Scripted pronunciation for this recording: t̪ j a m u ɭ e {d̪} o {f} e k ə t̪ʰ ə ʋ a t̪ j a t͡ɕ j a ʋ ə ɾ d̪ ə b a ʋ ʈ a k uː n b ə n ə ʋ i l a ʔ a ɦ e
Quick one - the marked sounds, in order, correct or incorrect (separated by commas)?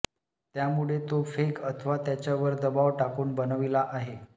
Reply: incorrect, correct